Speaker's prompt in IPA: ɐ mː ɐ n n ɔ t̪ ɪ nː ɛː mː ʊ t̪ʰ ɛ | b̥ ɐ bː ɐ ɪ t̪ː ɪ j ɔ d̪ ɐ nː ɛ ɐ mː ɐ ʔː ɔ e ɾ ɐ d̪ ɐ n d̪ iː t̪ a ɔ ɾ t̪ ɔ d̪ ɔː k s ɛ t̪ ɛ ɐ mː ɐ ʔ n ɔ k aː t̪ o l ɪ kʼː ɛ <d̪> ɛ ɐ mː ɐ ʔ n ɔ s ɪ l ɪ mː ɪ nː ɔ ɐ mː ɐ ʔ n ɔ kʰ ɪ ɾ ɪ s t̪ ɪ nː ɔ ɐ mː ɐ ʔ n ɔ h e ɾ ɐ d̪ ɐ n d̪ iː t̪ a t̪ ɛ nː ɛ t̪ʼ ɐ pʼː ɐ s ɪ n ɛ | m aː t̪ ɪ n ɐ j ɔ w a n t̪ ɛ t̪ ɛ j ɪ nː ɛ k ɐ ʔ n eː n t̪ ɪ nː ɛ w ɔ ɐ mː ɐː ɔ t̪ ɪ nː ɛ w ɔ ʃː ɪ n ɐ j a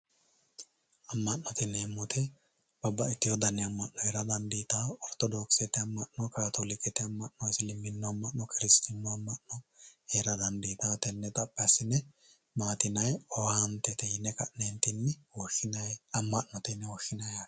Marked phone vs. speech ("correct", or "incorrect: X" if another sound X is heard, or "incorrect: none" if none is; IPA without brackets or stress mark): incorrect: t̪